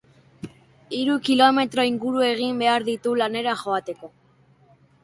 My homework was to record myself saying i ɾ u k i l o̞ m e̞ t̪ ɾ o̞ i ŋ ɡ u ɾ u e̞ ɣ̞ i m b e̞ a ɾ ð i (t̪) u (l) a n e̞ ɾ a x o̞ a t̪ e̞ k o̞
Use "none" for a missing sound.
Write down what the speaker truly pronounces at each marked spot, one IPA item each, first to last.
t̪, l

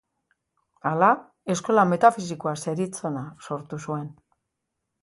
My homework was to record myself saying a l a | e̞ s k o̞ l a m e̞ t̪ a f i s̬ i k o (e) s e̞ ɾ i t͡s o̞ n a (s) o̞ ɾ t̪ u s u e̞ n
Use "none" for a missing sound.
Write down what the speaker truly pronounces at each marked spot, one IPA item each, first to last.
a, s

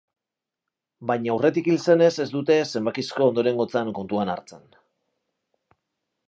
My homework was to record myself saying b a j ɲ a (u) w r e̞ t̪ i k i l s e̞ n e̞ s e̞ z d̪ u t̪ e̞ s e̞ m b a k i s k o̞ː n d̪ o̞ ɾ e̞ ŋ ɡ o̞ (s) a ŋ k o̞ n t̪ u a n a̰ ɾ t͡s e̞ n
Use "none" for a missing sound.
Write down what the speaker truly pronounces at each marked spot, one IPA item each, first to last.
u, t͡s

